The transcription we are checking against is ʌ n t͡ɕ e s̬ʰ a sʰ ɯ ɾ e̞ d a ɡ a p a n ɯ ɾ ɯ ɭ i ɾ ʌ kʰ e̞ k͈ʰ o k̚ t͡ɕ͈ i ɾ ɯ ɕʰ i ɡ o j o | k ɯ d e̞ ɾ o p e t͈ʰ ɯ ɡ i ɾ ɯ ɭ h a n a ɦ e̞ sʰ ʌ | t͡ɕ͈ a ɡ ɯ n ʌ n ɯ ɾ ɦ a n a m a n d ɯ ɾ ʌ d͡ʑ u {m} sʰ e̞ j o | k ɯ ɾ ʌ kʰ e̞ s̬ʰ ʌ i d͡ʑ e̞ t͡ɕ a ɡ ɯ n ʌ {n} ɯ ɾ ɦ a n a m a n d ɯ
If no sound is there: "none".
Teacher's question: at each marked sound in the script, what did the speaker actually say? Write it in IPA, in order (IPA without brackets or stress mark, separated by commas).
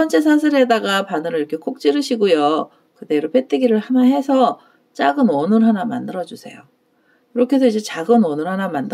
none, n